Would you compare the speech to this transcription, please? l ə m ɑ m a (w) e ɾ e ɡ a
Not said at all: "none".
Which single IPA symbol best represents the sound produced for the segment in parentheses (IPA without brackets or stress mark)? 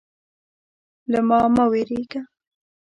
w